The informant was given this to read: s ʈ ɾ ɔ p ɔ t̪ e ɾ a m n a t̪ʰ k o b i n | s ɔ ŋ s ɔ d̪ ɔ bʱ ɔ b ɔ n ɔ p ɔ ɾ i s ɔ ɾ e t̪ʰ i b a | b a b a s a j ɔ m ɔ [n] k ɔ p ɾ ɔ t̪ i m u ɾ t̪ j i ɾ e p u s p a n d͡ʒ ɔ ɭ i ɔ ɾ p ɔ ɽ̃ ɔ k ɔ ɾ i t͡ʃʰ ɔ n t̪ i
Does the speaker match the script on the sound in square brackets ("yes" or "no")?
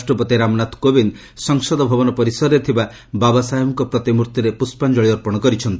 no